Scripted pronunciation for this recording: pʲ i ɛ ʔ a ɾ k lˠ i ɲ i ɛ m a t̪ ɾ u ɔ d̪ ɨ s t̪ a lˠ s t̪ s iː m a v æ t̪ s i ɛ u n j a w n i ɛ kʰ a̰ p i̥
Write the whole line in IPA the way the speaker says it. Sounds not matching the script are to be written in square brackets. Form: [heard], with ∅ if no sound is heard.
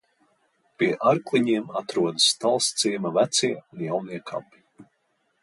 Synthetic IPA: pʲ i ɛ ʔ a ɾ k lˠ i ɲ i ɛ m a t̪ ɾ u ɔ d̪ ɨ s t̪ a lˠ s t̪ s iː m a v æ t̪ s i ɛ u n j a w n i ɛ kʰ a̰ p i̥

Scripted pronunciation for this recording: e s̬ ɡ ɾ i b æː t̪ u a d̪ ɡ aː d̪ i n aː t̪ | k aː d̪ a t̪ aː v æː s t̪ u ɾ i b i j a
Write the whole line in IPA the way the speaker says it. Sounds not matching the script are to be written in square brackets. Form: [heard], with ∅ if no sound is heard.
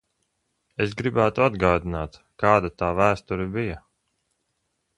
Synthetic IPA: e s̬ ɡ ɾ i b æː t̪ u a d̪ ɡ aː d̪ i n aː t̪ | k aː d̪ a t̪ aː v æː s t̪ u ɾ i b i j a

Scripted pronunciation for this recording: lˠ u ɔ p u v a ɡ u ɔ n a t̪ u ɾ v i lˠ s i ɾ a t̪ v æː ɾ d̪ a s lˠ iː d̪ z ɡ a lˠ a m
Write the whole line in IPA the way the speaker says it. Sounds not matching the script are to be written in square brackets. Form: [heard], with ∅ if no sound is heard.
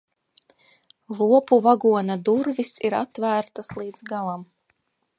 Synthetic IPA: lˠ u ɔ p u v a ɡ u ɔ n a [d̪] u ɾ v i [∅] s i ɾ a t̪ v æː ɾ [t̪] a s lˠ iː d̪ z ɡ a lˠ a m

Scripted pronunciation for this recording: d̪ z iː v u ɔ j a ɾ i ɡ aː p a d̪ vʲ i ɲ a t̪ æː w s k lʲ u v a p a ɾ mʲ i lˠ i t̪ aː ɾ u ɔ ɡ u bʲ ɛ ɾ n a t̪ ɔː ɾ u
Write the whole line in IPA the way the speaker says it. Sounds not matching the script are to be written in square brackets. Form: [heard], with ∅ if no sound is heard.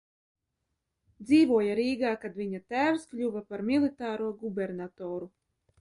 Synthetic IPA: d̪ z iː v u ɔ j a ɾ [iː] ɡ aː [k] a d̪ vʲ i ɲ a t̪ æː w s k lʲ u v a p a ɾ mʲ i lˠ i t̪ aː ɾ u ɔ ɡ u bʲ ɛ ɾ n a t̪ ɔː ɾ u

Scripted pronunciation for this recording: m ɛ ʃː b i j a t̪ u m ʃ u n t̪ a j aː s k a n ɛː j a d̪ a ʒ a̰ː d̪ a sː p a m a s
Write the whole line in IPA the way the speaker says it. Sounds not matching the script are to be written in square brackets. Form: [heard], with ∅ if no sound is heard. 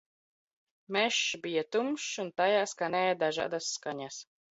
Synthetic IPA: m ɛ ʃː b i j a t̪ u m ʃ u n t̪ a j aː s k a n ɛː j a d̪ a ʒ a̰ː d̪ a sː [k] a [ɲ] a s

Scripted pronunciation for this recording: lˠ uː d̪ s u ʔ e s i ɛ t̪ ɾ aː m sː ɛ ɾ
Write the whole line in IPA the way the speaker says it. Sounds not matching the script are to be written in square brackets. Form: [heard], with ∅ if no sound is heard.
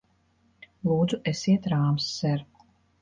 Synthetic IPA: lˠ uː d̪ [z] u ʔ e s i ɛ t̪ ɾ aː m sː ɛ ɾ

